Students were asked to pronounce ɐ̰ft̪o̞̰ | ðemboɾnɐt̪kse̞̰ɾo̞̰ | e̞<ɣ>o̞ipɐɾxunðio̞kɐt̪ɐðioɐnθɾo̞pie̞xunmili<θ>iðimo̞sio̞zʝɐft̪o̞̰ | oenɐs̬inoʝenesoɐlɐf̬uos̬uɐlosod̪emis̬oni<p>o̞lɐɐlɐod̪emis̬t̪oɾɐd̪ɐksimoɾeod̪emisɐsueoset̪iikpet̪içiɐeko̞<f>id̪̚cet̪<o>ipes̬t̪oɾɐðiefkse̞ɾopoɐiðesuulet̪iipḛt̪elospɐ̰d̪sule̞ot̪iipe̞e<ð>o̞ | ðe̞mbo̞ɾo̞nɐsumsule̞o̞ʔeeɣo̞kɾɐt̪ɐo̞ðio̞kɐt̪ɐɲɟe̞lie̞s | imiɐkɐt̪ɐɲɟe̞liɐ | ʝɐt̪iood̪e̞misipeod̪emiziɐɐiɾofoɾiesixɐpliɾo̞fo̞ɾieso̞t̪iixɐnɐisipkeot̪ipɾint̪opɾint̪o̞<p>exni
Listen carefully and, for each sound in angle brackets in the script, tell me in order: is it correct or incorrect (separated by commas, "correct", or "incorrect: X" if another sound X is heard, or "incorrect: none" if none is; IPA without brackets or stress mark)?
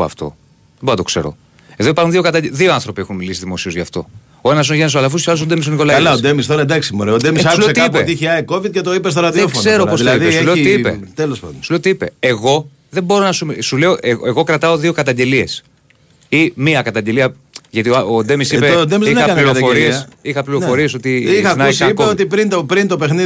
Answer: incorrect: ð, incorrect: s, incorrect: k, incorrect: v, correct, incorrect: ɣ, correct